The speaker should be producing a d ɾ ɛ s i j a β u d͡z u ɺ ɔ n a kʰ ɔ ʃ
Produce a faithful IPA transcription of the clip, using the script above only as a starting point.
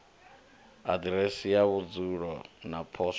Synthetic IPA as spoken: a d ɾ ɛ s i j a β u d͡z u ɺ ɔ n a pʰ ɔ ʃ